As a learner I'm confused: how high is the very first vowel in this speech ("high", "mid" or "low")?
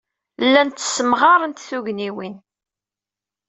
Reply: low